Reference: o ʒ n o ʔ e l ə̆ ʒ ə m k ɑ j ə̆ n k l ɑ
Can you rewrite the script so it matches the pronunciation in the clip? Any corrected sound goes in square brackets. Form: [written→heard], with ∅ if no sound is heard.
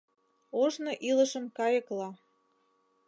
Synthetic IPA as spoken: o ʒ n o ʔ [e→i] l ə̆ [ʒ→ʃ] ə m k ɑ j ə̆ [n→∅] k l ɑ